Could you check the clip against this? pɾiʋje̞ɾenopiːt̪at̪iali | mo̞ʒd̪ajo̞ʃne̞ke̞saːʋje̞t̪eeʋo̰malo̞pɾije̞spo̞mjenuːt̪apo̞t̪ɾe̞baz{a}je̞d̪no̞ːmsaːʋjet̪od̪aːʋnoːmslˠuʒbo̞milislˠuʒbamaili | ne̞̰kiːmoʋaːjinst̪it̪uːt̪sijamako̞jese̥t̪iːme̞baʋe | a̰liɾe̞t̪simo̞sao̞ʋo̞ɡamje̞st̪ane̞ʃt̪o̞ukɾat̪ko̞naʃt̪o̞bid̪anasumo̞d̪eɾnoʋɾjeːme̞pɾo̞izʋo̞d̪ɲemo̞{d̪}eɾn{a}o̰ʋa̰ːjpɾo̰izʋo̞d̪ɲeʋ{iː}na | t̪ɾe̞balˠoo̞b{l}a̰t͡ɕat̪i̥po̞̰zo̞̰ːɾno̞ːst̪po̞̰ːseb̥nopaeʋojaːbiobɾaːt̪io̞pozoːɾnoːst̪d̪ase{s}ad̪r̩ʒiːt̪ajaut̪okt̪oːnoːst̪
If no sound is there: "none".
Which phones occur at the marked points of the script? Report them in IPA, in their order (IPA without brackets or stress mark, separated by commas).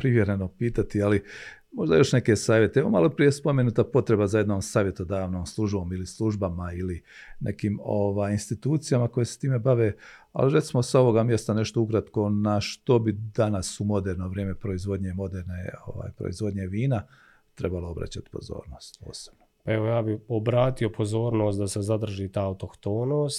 a, d̪, e, iː, ɾ, z